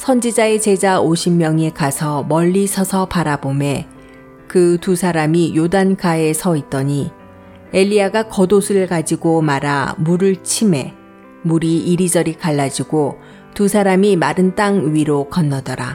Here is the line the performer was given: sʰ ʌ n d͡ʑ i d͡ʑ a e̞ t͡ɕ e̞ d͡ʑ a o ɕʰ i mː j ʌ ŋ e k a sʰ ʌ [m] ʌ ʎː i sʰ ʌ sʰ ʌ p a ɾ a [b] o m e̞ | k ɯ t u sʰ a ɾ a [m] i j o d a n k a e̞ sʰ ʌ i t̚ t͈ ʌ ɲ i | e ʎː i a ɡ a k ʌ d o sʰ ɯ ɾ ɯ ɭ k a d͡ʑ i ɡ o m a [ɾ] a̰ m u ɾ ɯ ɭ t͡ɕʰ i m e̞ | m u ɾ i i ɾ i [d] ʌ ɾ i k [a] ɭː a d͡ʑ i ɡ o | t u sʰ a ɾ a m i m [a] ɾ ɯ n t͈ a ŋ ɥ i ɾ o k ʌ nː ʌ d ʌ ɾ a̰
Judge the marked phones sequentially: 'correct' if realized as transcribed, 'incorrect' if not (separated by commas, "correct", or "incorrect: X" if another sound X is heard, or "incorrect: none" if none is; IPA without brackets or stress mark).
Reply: correct, correct, correct, correct, incorrect: d͡ʑ, correct, correct